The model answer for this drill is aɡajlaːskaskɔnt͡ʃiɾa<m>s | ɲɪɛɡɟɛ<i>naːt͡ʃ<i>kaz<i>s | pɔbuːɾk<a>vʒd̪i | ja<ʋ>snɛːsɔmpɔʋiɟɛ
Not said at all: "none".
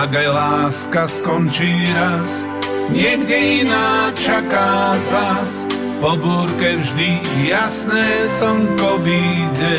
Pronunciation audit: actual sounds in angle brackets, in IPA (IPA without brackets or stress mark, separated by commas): none, i, a, a, ɛ, none